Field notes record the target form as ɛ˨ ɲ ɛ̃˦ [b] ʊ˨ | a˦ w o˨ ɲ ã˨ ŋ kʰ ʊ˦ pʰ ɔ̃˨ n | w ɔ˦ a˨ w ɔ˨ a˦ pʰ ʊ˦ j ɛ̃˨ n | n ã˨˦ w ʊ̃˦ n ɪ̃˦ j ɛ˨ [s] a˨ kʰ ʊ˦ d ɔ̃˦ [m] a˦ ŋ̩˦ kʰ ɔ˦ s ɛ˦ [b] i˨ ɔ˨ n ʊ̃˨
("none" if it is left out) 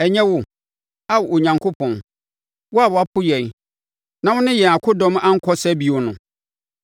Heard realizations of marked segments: w, none, m, b

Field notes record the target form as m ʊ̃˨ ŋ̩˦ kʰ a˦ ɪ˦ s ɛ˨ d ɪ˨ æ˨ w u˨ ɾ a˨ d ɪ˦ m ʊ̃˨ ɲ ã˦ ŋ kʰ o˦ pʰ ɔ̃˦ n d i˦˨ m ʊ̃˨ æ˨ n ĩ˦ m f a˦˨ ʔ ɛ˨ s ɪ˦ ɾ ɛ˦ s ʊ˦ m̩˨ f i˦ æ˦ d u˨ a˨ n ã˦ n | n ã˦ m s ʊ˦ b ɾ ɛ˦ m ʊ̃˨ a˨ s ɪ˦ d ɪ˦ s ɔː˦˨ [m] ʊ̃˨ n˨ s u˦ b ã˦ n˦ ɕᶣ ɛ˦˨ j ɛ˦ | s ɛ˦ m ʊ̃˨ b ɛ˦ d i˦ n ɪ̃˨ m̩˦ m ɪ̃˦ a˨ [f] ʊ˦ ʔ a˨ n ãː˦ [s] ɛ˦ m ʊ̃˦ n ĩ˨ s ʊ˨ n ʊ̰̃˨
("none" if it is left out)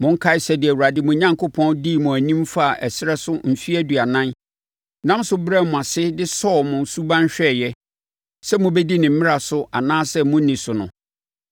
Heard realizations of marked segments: m, s, s

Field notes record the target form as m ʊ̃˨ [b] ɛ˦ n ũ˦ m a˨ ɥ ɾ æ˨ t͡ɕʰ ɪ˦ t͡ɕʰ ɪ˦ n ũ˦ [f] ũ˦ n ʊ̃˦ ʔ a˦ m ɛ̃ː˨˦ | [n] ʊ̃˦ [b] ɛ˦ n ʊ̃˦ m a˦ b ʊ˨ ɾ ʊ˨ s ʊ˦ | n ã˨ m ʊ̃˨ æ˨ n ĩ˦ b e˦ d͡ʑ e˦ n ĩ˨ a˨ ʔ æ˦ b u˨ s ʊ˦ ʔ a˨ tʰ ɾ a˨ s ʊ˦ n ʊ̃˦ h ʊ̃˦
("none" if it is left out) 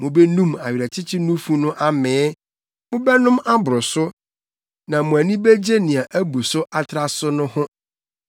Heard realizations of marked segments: b, f, m, b

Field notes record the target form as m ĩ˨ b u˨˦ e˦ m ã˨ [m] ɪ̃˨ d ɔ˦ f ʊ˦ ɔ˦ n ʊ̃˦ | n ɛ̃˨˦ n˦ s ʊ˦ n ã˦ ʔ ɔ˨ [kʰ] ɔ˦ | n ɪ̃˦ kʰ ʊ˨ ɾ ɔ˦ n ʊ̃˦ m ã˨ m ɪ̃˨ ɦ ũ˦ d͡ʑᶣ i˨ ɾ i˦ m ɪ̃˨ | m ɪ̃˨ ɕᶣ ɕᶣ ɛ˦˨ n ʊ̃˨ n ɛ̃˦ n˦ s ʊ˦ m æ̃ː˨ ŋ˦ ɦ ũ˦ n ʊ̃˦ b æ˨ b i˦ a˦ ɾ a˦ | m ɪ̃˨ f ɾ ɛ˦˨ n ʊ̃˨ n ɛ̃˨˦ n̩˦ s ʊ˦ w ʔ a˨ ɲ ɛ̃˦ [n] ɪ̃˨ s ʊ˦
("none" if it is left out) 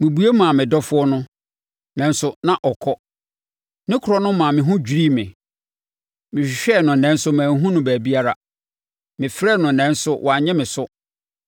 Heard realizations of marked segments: m, kʰ, m

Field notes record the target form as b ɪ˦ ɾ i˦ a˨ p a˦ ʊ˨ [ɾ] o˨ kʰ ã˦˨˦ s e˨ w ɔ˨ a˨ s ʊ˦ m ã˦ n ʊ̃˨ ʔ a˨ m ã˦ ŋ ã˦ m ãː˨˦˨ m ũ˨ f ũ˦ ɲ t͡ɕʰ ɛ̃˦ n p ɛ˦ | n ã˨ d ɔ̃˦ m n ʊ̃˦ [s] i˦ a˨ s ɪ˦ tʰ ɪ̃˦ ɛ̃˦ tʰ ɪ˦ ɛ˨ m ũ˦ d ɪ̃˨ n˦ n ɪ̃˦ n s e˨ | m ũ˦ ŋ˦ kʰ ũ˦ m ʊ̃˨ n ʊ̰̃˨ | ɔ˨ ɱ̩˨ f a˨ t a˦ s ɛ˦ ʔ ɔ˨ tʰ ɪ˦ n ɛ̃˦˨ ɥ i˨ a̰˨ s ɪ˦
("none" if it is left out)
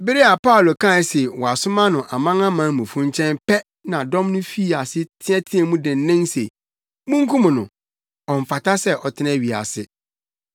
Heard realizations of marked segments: l, f

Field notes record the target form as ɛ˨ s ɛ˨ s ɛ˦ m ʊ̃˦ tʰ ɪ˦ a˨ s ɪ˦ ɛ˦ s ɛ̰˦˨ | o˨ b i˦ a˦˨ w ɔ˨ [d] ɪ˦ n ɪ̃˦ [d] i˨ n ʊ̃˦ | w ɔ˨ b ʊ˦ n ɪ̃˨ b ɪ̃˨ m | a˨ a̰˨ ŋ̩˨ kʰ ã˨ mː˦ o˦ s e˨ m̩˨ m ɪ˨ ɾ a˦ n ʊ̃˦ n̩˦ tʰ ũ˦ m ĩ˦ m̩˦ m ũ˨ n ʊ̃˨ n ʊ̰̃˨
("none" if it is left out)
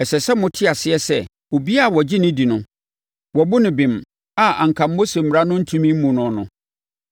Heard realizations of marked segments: d͡ʑ, d

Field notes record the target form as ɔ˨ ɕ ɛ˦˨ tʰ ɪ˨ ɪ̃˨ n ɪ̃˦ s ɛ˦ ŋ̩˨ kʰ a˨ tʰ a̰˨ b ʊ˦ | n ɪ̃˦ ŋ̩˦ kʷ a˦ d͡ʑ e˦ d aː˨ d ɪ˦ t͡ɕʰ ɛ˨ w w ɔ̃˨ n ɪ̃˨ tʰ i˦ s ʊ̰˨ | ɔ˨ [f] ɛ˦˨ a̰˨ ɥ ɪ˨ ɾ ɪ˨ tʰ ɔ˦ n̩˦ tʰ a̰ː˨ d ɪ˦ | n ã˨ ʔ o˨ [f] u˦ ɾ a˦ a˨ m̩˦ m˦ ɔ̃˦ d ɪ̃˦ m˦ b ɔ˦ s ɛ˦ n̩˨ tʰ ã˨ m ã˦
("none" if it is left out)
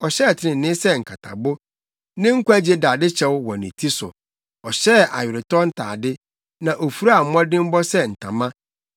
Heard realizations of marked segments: ɕ, f

